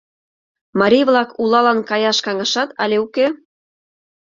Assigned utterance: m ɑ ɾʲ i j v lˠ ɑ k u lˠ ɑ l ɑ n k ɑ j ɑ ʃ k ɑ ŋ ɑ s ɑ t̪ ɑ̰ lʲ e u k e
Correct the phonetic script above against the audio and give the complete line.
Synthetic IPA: m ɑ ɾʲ i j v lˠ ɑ k u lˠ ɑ l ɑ n k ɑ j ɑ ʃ k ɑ ŋ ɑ ʃ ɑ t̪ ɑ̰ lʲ e u k e